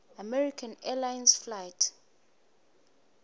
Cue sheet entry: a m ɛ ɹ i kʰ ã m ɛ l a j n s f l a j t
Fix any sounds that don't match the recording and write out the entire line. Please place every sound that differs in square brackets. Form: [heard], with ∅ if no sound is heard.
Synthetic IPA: a m ɛ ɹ i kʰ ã [n] ɛ l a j n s f l a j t